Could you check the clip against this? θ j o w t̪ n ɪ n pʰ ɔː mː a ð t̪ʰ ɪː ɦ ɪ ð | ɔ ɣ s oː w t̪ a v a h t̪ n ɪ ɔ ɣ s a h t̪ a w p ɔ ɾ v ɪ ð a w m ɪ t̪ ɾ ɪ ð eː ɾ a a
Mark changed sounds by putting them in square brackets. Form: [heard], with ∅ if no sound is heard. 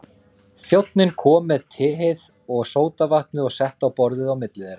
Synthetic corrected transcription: θ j o w t̪ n ɪ n [kʰ] ɔː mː [ɛ] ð t̪ʰ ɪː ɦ ɪ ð | ɔ ɣ s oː w t̪ a v a h t̪ n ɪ ɔ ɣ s [ɛ] h t̪ a w p ɔ ɾ [ð] ɪ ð a w m ɪ t̪ [l] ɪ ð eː ɾ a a